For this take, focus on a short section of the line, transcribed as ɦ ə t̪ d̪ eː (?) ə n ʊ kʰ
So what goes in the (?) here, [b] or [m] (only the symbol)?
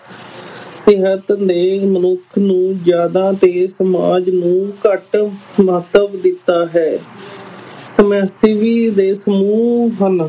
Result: m